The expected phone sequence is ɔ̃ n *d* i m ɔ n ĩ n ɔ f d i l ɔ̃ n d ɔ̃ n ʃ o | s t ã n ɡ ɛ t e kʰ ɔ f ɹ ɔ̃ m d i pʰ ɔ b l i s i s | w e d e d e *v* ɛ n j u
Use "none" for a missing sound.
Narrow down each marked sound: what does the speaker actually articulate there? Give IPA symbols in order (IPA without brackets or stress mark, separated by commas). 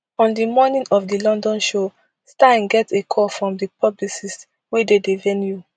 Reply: d, v